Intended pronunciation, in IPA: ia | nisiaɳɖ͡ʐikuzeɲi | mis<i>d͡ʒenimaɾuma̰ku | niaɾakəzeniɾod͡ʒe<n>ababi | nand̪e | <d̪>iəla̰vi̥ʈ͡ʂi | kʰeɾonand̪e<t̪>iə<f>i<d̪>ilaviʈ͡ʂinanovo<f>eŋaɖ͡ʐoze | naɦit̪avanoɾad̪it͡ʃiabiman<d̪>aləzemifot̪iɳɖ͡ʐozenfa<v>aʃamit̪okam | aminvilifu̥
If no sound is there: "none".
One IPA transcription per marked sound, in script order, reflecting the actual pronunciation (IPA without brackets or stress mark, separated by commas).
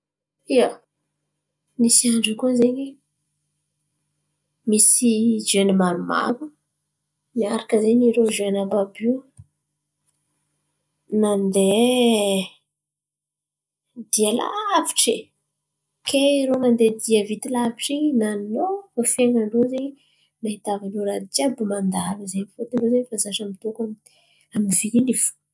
i, n, d̪, d̪, v, t̪, f, d̪, z